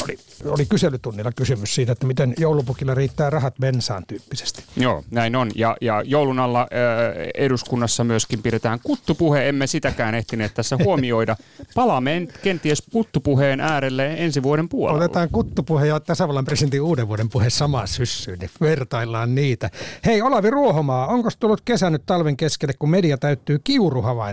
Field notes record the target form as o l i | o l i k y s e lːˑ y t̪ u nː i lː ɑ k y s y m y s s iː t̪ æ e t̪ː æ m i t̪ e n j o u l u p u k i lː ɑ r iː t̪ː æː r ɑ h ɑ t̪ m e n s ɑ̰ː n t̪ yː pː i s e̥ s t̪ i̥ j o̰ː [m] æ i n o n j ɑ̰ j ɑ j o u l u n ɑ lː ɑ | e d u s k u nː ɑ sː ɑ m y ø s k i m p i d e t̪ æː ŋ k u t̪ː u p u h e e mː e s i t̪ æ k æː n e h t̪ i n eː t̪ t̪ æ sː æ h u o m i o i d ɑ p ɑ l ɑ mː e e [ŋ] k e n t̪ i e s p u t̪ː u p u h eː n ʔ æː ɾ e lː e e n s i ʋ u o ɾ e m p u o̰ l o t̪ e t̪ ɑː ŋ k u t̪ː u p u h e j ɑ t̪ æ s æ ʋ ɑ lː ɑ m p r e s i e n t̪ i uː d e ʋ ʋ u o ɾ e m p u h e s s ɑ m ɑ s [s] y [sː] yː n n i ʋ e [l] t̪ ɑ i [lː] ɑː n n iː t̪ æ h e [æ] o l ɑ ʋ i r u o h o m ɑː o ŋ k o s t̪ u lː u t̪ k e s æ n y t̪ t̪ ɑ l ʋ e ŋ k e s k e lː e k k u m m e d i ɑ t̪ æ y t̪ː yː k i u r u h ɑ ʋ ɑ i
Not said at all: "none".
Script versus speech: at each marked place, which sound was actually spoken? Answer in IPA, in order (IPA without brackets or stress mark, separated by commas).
n, n, s, sː, r, lː, i